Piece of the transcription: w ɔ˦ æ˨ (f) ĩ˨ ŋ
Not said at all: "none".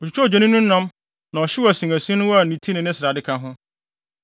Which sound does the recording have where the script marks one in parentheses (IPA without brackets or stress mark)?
s